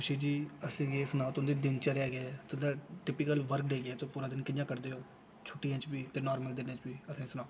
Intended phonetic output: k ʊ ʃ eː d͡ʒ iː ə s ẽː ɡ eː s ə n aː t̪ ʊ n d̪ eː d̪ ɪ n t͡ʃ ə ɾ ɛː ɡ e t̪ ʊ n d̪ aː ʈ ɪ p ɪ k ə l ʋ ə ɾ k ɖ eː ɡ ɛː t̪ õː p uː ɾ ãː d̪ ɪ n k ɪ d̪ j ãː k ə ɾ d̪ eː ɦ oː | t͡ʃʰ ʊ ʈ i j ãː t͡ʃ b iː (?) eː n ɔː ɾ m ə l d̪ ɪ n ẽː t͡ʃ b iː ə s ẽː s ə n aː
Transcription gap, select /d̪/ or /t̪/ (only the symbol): t̪